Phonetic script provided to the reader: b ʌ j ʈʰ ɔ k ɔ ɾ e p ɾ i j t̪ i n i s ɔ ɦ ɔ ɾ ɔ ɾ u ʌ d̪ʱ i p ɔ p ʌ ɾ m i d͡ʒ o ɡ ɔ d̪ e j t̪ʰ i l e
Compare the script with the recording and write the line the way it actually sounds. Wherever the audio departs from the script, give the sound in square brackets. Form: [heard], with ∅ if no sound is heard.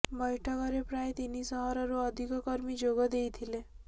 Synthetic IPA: b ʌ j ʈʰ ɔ k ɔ ɾ e p ɾ [a] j t̪ i n i s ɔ ɦ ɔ ɾ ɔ ɾ u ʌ d̪ʱ i [k] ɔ [k] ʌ ɾ m i d͡ʒ o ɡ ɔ d̪ e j t̪ʰ i l e